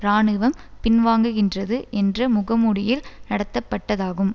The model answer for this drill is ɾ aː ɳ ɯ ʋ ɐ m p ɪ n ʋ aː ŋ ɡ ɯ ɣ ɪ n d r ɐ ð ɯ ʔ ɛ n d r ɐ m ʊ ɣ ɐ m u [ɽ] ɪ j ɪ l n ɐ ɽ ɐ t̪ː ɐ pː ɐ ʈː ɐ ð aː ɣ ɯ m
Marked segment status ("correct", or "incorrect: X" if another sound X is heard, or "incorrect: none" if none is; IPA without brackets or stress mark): correct